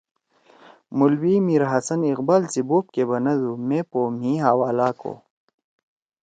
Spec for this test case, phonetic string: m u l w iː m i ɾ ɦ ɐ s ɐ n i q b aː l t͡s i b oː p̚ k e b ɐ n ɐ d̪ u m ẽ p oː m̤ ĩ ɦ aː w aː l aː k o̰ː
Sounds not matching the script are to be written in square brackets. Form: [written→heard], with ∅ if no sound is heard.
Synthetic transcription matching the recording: m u l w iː m i ɾ ɦ ɐ s ɐ n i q b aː l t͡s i b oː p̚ k e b ɐ n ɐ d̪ u m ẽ p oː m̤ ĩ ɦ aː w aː l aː k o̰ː